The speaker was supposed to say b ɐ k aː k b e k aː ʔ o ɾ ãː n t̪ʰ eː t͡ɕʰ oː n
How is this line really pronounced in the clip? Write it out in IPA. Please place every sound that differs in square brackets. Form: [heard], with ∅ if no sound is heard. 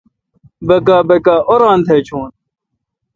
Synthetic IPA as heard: b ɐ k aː [∅] b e k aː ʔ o ɾ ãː n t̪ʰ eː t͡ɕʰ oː n